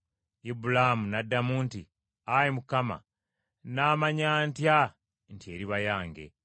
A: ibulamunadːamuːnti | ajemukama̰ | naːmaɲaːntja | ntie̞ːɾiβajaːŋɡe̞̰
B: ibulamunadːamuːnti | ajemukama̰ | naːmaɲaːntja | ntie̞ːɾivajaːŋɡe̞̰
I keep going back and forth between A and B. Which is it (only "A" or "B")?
A